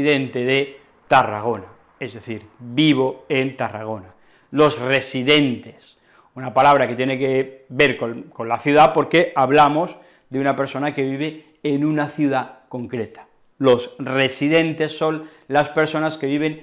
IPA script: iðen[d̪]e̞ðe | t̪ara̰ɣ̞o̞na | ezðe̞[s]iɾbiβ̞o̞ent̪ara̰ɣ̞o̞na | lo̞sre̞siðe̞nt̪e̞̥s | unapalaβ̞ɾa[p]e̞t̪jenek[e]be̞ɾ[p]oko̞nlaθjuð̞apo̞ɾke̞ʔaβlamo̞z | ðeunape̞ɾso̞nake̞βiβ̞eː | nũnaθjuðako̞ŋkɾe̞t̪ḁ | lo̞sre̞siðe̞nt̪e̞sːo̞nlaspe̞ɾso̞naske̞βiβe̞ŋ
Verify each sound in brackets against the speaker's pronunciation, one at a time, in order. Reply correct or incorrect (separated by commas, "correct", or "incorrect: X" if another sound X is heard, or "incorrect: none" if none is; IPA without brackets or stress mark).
incorrect: t̪, incorrect: θ, incorrect: k, correct, incorrect: k